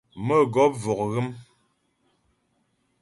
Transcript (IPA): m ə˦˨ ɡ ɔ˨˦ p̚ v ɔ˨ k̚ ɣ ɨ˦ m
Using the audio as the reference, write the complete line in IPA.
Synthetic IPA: m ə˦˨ ɡ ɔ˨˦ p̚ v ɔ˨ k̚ ɣ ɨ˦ m